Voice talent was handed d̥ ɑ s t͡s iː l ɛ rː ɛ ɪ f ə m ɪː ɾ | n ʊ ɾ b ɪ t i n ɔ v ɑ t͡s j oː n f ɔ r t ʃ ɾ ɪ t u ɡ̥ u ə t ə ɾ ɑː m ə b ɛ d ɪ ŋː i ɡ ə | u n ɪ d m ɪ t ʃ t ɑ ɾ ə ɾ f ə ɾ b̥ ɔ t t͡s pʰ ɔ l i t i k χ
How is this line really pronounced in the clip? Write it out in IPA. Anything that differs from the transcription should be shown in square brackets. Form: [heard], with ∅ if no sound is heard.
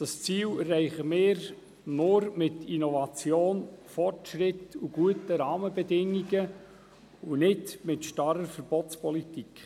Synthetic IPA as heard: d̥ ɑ s t͡s iː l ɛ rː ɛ ɪ [χ] ə m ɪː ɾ | n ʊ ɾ [m] ɪ t i n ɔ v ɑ t͡s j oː n f ɔ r t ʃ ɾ ɪ t u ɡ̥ u ə t ə ɾ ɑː m ə b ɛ d ɪ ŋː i ɡ ə | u n ɪ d m ɪ t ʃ t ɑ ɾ ə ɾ f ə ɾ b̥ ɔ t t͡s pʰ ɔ l i t i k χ

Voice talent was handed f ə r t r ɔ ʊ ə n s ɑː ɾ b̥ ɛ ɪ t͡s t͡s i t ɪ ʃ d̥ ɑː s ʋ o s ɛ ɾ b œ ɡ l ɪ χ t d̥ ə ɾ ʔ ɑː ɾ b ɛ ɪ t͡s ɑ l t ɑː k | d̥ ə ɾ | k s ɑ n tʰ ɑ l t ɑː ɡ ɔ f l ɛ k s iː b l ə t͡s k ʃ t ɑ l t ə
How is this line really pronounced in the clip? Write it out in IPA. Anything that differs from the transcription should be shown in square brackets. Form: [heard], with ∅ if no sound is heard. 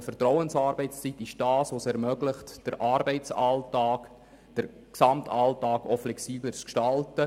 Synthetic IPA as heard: f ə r t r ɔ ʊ ə n s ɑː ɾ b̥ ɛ ɪ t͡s t͡s i t ɪ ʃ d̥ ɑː s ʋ o s ɛ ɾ [m] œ ɡ l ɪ χ t d̥ ə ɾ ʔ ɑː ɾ b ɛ ɪ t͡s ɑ l t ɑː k | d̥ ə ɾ | k s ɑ [m] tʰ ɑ l t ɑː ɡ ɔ f l ɛ k s iː b l ə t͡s k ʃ t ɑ l t ə

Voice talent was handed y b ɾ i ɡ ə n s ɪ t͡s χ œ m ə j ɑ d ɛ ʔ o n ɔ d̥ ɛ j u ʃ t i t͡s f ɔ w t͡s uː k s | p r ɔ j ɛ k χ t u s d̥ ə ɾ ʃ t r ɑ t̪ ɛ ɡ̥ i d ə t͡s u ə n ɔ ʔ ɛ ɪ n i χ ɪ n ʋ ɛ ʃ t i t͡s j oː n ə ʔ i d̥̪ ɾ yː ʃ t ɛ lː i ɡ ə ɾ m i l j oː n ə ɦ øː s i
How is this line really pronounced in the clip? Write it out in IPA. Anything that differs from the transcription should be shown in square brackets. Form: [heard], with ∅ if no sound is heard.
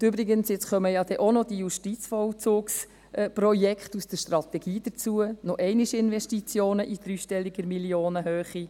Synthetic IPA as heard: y b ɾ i ɡ ə n s ɪ t͡s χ œ m ə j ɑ d ɛ ʔ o n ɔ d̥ [i] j u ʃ t i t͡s f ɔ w t͡s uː k s | p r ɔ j ɛ k χ t u s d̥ ə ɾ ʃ t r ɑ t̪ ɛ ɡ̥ [iː] d ə t͡s u ə n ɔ ʔ ɛ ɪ n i [ʃ] ɪ n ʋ ɛ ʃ t i t͡s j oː n ə ʔ i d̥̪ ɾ yː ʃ t ɛ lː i ɡ ə ɾ m i l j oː n ə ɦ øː [χ] i

